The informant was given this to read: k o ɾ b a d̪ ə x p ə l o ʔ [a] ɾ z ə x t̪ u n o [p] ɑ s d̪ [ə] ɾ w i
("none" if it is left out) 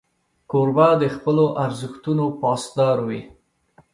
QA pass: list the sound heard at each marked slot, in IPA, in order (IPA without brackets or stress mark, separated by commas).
a, p, ɑ